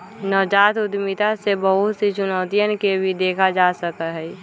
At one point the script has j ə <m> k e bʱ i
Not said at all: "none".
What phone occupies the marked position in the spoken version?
n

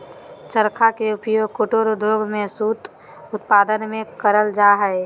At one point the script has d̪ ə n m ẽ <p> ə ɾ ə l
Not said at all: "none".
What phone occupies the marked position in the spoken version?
k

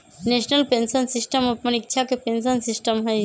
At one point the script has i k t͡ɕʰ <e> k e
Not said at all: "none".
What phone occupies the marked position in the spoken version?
a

